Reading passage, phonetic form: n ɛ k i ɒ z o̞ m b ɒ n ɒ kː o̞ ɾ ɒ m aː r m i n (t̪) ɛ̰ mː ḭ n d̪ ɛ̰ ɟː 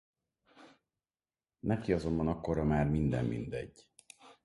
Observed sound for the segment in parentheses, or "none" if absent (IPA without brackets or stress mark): d̪